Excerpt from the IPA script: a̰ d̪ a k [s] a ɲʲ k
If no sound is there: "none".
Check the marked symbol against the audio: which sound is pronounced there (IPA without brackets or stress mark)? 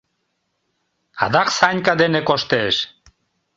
s